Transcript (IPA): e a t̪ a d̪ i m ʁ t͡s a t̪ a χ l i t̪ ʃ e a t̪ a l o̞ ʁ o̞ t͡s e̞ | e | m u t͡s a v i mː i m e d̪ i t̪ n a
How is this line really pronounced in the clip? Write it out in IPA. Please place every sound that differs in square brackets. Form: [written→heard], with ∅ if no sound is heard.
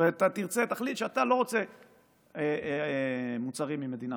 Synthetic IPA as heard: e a t̪ a [d̪→t̪] i [m→∅] ʁ t͡s [a→e] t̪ a χ l i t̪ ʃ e a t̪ a l o̞ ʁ o̞ t͡s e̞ | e | m u t͡s a [v→ʁ] i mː i m e d̪ i [t̪→∅] n a